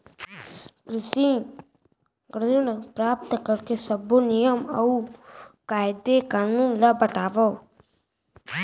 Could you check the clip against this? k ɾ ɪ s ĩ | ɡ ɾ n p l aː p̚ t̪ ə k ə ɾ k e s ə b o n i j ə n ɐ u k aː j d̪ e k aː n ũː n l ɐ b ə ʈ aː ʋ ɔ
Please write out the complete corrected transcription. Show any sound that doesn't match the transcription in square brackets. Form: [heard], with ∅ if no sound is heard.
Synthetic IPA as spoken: k ɾ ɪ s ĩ | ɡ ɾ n p [ɾ] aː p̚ t̪ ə k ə ɾ k e s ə b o n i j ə [m] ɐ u k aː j d̪ e k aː n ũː n l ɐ b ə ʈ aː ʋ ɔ